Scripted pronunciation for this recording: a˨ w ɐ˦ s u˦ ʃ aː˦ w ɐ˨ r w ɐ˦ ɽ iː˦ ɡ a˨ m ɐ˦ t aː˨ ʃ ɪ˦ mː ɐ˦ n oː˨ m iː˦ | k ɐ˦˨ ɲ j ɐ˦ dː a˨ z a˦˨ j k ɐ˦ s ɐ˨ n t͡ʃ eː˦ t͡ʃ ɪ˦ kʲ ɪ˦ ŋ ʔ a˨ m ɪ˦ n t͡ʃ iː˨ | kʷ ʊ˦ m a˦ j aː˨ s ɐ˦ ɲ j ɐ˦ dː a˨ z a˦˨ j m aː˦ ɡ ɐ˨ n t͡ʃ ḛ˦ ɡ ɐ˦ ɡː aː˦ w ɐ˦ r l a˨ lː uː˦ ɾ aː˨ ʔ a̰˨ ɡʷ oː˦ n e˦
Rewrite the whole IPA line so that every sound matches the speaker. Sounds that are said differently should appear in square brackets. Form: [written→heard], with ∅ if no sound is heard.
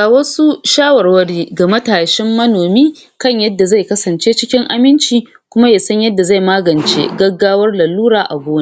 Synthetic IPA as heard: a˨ w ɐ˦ s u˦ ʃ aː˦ w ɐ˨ r w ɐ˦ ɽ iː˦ ɡ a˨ m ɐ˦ t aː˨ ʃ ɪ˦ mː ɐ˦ n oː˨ m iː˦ | k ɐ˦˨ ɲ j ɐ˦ dː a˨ z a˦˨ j k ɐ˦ s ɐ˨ n t͡ʃ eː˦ t͡ʃ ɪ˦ kʲ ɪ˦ ŋ ʔ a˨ m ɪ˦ n t͡ʃ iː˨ | kʷ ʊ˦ m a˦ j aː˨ s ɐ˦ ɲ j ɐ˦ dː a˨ z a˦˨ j m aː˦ ɡ ɐ˨ n t͡ʃ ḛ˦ ɡ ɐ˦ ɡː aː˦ w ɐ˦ r l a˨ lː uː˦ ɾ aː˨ ʔ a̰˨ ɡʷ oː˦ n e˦